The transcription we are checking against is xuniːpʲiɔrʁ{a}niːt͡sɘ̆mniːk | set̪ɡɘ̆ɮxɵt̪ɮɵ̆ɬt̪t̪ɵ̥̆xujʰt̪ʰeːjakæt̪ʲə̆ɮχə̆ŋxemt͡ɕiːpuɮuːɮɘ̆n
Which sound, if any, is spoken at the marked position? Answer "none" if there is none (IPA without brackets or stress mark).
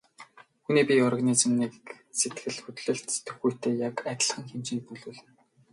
a